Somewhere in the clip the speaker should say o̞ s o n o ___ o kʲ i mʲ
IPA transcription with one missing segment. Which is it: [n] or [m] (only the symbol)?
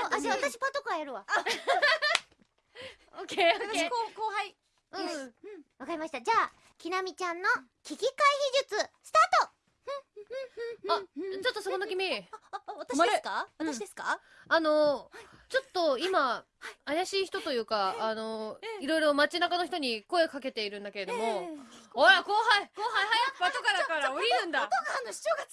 n